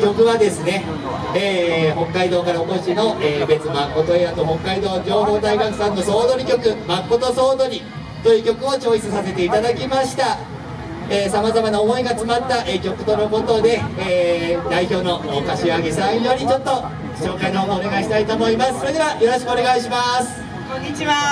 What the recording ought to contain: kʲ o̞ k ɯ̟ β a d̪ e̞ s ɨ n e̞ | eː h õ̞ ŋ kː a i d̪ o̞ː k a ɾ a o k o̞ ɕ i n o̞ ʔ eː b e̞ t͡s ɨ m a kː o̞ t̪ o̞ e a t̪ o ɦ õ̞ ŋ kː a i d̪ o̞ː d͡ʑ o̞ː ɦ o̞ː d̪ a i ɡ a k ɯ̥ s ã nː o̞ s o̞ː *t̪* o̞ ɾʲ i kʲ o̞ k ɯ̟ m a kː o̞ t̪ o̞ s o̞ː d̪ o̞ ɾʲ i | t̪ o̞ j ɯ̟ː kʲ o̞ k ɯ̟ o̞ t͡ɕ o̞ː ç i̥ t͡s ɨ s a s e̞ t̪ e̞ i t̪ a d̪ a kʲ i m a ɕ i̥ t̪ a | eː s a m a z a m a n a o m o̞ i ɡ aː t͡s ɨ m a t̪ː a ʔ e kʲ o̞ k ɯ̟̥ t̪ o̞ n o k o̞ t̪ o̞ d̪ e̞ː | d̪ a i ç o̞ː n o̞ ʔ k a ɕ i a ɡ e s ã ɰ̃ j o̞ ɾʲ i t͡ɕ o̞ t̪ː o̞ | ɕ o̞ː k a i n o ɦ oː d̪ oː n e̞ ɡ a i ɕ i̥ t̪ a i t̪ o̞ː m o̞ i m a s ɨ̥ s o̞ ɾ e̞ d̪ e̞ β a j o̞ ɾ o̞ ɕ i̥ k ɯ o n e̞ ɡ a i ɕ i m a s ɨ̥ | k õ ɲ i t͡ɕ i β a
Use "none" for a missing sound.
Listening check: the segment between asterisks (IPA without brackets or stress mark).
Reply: d̪